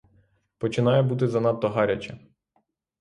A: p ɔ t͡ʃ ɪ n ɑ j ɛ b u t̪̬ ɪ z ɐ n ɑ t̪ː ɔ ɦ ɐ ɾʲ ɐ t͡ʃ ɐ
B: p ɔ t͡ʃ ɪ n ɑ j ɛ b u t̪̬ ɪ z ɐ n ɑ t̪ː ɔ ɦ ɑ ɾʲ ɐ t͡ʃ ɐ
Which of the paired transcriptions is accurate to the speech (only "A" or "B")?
B